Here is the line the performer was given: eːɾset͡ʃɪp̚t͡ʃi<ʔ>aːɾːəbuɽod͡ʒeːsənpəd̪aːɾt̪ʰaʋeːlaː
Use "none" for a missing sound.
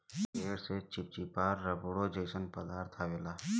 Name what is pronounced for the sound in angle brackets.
p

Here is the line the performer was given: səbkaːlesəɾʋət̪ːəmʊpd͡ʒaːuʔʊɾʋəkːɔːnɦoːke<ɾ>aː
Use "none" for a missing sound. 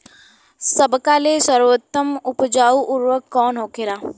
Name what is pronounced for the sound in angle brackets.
ɾ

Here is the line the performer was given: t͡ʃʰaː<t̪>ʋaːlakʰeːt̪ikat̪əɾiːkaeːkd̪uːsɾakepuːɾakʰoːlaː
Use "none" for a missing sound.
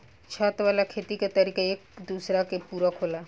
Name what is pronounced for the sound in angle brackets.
t̪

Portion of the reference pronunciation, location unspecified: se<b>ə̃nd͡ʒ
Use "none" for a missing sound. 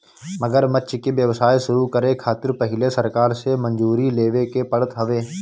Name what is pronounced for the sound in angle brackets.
m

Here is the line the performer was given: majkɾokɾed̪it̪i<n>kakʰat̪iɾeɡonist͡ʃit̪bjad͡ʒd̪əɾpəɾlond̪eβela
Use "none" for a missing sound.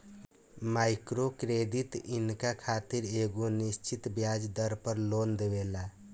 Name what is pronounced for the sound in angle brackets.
n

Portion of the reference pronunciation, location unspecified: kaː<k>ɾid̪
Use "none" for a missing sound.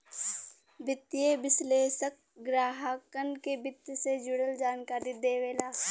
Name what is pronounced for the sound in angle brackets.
none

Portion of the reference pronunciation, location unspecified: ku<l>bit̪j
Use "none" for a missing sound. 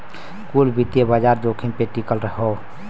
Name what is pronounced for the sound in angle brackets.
l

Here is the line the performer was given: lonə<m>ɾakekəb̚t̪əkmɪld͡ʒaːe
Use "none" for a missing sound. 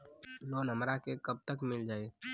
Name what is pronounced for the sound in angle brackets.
m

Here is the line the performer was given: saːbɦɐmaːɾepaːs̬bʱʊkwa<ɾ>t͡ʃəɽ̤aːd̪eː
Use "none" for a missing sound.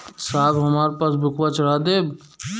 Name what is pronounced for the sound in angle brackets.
none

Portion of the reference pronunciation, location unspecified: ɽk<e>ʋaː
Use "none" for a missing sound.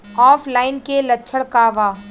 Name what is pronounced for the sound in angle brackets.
a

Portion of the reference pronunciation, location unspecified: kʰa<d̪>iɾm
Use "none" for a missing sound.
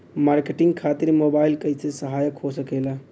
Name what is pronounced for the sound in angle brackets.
t̪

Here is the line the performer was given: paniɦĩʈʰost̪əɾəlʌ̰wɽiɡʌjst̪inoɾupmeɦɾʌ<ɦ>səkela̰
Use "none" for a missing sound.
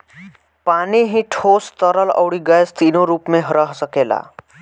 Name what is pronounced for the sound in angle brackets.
ɦ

